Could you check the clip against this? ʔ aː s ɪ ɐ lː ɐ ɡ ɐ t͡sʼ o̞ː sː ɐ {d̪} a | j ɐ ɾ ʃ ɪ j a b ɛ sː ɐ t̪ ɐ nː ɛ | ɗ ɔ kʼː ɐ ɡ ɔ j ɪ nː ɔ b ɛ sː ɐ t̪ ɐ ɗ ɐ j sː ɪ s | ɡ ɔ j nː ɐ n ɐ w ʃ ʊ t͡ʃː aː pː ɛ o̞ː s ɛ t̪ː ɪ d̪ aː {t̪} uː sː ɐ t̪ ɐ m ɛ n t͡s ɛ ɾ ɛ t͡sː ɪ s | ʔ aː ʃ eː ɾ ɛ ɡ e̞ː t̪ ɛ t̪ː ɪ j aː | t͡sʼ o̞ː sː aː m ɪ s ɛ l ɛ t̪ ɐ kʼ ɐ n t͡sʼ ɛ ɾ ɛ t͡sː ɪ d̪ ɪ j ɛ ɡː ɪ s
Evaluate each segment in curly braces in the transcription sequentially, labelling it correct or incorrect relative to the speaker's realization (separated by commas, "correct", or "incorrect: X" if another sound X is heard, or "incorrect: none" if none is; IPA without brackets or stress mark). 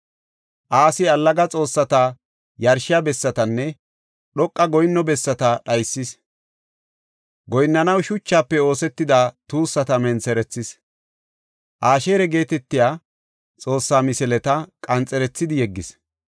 incorrect: t̪, correct